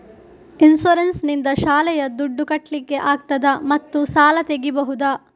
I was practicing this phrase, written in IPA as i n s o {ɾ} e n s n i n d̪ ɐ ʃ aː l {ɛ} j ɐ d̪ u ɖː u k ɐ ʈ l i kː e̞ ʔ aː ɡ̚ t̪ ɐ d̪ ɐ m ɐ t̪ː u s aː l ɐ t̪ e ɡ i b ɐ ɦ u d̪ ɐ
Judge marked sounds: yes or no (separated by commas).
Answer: yes, yes